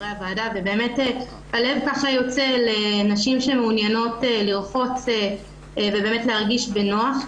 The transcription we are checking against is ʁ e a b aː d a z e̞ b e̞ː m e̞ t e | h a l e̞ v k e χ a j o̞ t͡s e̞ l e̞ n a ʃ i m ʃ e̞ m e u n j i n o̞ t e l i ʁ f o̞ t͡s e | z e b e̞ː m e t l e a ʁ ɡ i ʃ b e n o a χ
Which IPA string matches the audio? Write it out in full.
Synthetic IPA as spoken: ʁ e a v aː d a v e̞ b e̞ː m e̞ t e | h a l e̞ v k a χ a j o̞ t͡s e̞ l e̞ n a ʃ i m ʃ e̞ m e u n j a n o̞ t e l i ʁ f o̞ t͡s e | v e b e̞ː m e t l e a ʁ ɡ i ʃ b e n o a χ